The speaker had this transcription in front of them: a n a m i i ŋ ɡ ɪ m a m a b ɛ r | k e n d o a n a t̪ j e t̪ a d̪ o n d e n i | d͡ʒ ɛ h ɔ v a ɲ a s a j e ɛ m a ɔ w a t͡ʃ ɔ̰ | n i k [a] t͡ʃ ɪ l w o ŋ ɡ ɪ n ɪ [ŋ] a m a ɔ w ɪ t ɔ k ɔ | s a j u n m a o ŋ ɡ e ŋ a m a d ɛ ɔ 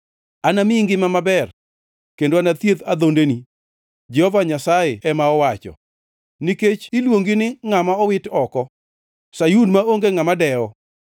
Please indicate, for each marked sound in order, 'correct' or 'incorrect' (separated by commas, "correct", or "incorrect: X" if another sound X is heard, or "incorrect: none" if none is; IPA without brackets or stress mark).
incorrect: e, correct